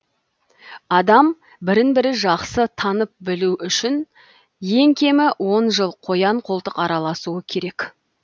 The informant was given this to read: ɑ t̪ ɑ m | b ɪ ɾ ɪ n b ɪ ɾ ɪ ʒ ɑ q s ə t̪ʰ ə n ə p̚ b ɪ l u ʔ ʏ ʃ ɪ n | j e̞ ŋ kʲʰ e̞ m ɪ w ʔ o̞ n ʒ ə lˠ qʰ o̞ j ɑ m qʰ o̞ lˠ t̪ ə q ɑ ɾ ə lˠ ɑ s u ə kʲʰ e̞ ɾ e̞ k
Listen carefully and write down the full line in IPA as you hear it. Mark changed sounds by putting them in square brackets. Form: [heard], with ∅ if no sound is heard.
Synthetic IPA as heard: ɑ [d̪] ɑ m | b ɪ ɾ ɪ n b ɪ ɾ ɪ ʒ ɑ q s ə t̪ʰ [ɑ] n ə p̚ b ɪ l u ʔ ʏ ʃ ɪ n | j e̞ ŋ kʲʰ e̞ m ɪ w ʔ o̞ n ʒ ə lˠ qʰ o̞ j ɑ [ɴ] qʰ o̞ lˠ t̪ ə q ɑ ɾ [ɑ] lˠ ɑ s u ə kʲʰ e̞ ɾ e̞ k